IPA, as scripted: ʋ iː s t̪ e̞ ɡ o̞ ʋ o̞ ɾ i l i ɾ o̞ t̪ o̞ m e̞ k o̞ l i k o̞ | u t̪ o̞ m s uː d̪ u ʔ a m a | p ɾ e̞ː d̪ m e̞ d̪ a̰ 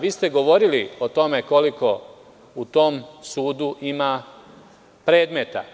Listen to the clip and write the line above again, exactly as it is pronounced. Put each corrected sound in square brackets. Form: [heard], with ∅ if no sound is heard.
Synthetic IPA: ʋ iː s t̪ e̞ ɡ o̞ ʋ o̞ ɾ i l i [∅] o̞ t̪ o̞ m e̞ k o̞ l i k o̞ | u t̪ o̞ m s uː d̪ u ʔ [i] m a | p ɾ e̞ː d̪ m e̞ [t̪] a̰